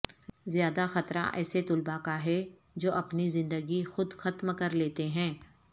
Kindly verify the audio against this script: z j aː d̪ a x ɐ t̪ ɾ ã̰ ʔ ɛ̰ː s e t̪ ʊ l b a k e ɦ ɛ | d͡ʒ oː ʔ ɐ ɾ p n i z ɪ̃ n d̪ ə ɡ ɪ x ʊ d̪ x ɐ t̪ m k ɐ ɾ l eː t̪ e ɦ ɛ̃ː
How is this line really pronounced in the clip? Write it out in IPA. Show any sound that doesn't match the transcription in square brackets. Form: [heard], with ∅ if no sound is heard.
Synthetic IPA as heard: z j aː d̪ a x ɐ t̪ ɾ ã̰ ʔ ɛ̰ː s e t̪ ʊ l b a k [a] ɦ ɛ | d͡ʒ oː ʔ ɐ [∅] p n i z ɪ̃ n d̪ ə ɡ [i] x ʊ d̪ x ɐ t̪ m k ɐ ɾ l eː t̪ e ɦ ɛ̃ː